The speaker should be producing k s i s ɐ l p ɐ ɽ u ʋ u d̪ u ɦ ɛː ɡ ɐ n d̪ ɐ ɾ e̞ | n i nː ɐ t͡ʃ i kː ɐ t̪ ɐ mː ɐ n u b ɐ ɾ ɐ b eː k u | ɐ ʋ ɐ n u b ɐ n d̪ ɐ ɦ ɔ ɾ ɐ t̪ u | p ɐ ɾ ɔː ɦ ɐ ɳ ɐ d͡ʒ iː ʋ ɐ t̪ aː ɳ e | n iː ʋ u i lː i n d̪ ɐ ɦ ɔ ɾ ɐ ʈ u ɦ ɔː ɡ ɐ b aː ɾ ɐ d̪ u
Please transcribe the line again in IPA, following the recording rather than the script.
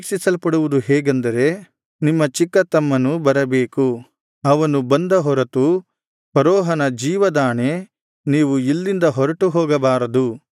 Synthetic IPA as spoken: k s i s ɐ l p ɐ ɽ u ʋ u d̪ u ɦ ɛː ɡ ɐ n d̪ ɐ ɾ e̞ | n i mː ɐ t͡ʃ i kː ɐ t̪ ɐ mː ɐ n u b ɐ ɾ ɐ b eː k u | ɐ ʋ ɐ n u b ɐ n d̪ ɐ ɦ ɔ ɾ ɐ t̪ u | p ɐ ɾ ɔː ɦ ɐ n ɐ d͡ʒ iː ʋ ɐ d̪ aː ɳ e | n iː ʋ u i lː i n d̪ ɐ ɦ ɔ ɾ ɐ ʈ u ɦ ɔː ɡ ɐ b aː ɾ ɐ d̪ u